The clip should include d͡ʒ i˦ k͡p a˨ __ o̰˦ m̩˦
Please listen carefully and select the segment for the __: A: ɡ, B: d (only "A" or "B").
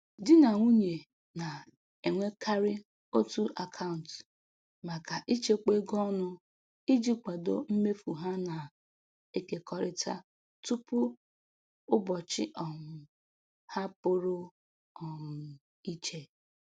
B